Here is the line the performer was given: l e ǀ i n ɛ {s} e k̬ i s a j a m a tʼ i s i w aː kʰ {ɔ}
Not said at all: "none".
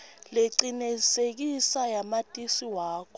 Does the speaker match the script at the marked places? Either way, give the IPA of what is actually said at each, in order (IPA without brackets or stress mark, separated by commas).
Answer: s, ɔ